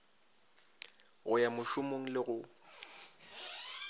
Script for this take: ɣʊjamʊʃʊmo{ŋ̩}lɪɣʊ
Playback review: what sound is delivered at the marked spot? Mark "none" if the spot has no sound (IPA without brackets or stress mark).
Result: ŋ̩